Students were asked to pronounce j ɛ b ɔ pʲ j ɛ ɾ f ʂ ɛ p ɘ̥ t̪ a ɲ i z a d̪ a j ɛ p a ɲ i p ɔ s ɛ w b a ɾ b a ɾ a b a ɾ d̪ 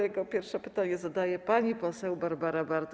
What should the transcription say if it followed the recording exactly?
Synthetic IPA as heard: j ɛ ɡ ɔ pʲ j ɛ ɾ f ʂ ɛ p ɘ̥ t̪ a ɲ ɛ z a d̪ a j ɛ p a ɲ i p ɔ s ɛ w b a ɾ b a ɾ a b a ɾ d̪